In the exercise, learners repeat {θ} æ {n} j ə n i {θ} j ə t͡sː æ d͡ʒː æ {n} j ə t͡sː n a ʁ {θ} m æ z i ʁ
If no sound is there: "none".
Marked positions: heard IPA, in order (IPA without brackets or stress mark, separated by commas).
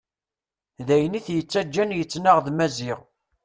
ð, none, θ, n, ð